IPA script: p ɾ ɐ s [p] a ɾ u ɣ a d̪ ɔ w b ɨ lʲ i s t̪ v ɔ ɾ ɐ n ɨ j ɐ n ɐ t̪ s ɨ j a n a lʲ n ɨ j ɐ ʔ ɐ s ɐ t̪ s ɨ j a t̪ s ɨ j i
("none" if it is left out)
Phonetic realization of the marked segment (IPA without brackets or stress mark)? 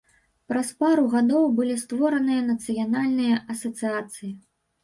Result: p